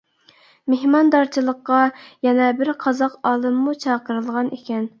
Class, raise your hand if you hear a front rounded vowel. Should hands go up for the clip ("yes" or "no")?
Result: no